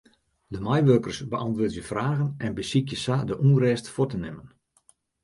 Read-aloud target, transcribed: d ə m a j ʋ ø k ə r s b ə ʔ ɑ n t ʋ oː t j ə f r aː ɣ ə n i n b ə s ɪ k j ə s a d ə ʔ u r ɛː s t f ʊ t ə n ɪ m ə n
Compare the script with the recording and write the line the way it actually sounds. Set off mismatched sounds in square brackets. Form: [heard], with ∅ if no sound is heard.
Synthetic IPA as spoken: d ə m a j ʋ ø k ə r s b ə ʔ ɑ n t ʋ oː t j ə f r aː ɣ ə n [ɛ] n b ə s [i] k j ə s a d ə ʔ u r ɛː s t f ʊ t ə n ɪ m ə n